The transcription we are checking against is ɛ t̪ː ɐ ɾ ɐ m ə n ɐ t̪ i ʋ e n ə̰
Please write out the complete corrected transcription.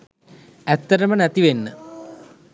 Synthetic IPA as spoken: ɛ t̪ː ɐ ɾ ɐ m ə n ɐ t̪ i ʋ e nː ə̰

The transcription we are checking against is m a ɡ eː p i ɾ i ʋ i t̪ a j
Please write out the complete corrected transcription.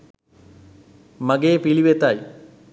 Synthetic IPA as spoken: m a ɡ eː p i l i ʋ e t̪ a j

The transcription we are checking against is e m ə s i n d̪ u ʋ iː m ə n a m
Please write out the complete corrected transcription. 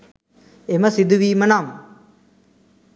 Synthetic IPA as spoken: e m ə s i d̪ u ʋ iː m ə n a m

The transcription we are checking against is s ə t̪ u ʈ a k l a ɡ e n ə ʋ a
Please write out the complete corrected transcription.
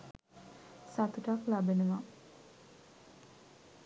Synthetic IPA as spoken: s a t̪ u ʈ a k l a b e n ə ʋ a

